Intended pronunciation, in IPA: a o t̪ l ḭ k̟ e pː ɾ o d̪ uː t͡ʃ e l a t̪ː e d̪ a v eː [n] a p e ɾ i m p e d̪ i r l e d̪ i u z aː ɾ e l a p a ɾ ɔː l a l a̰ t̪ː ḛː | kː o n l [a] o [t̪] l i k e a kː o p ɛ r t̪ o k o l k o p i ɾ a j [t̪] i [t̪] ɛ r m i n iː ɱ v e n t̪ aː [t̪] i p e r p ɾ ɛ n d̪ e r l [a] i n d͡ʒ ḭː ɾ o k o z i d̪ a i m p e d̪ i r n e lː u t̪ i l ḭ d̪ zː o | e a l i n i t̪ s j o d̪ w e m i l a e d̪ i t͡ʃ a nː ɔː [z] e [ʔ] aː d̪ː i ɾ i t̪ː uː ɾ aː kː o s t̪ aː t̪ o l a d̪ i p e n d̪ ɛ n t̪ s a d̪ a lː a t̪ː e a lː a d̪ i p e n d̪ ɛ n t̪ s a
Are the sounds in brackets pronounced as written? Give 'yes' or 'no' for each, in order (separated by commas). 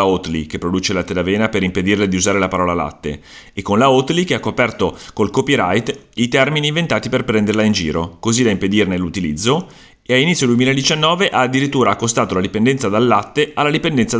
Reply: yes, yes, yes, yes, yes, yes, yes, no, yes